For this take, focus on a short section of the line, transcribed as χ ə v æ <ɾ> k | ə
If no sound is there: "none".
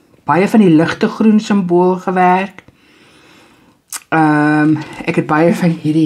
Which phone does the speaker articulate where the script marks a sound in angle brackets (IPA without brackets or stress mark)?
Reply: r